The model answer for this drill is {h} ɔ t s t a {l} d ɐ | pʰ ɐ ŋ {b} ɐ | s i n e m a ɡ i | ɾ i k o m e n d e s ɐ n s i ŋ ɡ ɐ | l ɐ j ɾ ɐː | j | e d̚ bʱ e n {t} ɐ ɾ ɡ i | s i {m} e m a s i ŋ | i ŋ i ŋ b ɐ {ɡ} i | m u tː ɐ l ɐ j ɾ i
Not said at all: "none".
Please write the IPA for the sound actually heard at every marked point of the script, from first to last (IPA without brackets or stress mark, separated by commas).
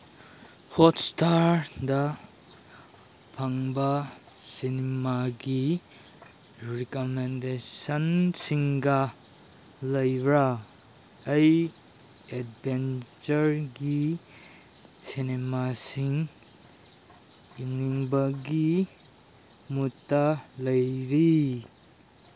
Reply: h, ɾ, b, t͡ʃ, n, ɡ